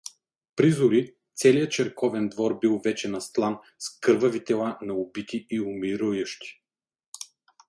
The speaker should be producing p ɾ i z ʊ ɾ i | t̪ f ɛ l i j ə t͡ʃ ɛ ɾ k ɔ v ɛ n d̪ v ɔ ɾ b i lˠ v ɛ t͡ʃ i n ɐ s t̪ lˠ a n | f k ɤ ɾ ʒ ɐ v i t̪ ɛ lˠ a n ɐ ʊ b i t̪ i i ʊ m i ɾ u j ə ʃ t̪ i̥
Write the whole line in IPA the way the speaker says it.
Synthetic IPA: p ɾ i z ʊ ɾ i | t̪ s ɛ l i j ə t͡ʃ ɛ ɾ k ɔ v ɛ n d̪ v ɔ ɾ b i lˠ v ɛ t͡ʃ ɛ n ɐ s t̪ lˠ a n | s k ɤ ɾ v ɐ v i t̪ ɛ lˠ a n ɐ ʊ b i t̪ i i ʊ m i ɾ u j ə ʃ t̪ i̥